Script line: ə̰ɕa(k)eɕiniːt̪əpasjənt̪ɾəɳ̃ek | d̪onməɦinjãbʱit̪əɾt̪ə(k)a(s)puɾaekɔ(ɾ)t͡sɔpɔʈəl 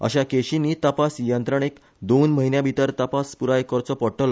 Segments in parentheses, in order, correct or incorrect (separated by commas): correct, incorrect, correct, correct